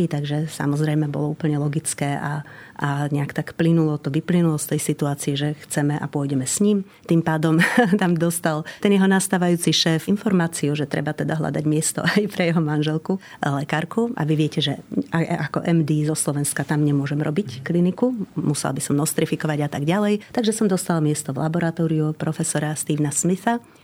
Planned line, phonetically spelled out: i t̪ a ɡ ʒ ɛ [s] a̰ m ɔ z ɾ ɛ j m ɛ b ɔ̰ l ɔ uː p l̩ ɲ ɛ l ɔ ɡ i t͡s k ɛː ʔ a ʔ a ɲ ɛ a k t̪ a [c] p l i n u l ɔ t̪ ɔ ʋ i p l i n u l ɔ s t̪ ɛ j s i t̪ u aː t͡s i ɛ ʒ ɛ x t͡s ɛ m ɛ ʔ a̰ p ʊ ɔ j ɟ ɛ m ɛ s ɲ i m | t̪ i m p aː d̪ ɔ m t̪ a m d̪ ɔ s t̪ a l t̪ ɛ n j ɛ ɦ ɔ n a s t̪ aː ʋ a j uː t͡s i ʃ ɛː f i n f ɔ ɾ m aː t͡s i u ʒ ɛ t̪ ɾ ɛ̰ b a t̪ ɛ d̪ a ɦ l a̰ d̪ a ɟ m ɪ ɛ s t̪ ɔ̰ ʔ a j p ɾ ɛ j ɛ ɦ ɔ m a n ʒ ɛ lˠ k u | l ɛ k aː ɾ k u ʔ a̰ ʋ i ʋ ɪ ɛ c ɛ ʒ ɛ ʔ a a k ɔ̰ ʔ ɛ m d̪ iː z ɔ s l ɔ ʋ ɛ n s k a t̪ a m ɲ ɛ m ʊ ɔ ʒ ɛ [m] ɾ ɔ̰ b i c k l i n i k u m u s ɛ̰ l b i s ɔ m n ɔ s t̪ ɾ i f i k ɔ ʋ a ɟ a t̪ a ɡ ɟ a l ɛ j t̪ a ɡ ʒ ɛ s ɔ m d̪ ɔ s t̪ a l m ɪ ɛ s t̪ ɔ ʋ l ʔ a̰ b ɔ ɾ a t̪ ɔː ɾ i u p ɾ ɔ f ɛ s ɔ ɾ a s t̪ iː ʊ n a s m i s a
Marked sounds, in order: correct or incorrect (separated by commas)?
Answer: correct, incorrect, correct